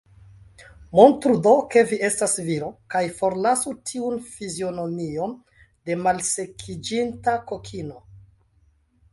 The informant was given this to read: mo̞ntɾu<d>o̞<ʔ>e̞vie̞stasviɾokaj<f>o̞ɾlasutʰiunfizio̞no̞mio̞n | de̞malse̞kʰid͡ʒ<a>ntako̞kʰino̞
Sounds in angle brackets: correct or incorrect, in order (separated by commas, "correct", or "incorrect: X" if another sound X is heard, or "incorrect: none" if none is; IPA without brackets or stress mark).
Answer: correct, incorrect: k, correct, incorrect: i